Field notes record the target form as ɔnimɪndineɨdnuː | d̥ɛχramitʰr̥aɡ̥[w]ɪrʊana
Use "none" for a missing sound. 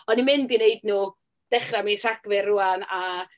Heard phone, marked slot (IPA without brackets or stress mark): v